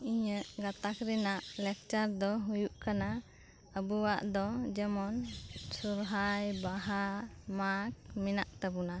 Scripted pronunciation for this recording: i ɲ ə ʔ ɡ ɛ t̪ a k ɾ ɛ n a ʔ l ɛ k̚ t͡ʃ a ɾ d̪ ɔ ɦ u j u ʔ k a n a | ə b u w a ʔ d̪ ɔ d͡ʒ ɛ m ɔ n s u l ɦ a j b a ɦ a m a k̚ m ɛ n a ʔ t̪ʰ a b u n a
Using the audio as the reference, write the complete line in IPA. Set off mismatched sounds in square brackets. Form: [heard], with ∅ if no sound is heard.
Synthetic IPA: i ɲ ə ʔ ɡ [a] t̪ a k ɾ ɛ n a ʔ l ɛ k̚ t͡ʃ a ɾ d̪ ɔ ɦ u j u ʔ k a n a | ə b u w a ʔ d̪ ɔ d͡ʒ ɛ m ɔ n s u [ɾ] ɦ a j b a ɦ a m a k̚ m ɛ n a ʔ [t̪] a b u n a